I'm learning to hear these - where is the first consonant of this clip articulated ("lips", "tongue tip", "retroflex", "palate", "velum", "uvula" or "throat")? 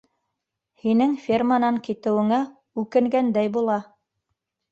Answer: throat